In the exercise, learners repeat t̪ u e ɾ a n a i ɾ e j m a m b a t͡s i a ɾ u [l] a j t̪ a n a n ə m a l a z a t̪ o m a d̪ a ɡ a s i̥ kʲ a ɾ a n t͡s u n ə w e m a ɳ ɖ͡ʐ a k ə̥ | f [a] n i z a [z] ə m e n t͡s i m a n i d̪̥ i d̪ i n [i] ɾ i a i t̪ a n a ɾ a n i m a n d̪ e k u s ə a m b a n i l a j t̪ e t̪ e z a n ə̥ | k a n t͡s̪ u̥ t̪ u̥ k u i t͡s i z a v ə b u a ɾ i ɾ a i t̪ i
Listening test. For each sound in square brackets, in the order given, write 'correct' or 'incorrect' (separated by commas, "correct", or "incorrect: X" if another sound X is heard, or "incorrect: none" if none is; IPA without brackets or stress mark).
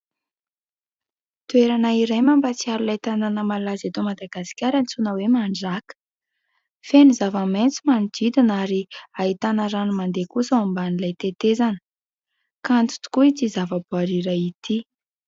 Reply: correct, incorrect: e, incorrect: v, incorrect: a